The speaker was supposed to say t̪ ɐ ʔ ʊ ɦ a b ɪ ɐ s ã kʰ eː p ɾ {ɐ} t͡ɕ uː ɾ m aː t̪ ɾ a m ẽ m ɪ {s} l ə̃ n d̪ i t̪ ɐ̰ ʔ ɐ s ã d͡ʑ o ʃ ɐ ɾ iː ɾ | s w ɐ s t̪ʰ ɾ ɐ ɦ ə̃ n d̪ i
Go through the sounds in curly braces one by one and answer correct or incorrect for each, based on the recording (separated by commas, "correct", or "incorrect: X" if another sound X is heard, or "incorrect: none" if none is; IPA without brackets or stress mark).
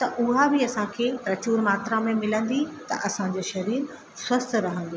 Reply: correct, incorrect: none